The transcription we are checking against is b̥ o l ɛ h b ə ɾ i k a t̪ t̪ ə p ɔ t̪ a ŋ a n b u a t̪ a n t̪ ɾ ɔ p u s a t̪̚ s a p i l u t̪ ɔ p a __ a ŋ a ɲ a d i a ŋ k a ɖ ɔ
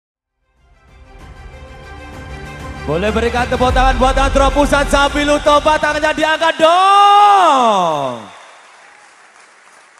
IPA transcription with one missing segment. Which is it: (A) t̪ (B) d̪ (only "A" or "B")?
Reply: A